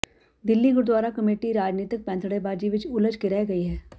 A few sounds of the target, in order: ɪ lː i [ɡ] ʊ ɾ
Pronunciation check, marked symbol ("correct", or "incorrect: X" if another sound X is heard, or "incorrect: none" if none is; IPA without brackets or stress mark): correct